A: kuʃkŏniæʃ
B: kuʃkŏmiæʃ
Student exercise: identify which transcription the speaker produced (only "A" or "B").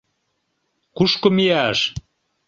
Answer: B